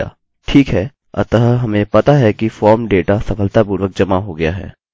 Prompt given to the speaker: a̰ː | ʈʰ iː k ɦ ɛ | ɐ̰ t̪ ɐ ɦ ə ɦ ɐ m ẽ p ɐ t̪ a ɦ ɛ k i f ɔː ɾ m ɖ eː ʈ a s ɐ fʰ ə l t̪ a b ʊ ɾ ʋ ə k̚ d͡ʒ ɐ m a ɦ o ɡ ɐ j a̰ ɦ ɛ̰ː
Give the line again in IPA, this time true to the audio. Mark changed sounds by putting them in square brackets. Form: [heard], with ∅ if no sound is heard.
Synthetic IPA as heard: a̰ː | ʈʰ iː k ɦ ɛ | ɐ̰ t̪ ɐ ɦ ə ɦ ɐ m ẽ p ɐ t̪ a ɦ ɛ k i f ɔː ɾ m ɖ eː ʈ a s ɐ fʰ ə l t̪ a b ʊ ɾ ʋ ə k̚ d͡ʒ ɐ m a ɦ o ɡ ɐ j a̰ ɦ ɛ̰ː